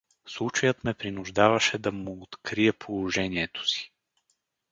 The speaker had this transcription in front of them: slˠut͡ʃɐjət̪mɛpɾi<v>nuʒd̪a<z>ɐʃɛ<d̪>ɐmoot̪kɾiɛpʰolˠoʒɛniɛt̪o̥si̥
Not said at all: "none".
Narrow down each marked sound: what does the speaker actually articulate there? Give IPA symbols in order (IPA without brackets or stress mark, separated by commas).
none, v, d̪